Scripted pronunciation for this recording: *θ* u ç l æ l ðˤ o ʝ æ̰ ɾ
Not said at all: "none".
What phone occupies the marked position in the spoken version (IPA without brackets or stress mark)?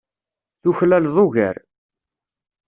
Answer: θ